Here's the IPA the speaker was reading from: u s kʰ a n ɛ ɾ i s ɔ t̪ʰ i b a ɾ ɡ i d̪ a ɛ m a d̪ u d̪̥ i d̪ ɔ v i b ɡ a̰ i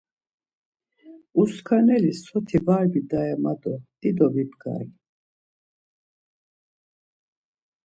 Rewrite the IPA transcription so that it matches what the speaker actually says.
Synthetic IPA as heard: u s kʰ a n ɛ l i s ɔ t̪ʰ i v a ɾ b i d̪ a ɛ m a d̪ ɔ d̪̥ i d̪ ɔ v i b ɡ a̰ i